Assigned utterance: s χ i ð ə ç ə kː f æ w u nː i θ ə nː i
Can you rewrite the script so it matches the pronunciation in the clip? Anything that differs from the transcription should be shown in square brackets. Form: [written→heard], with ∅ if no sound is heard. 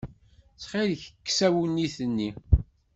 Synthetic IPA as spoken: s χ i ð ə ç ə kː [f→s] æ w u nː i θ ə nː i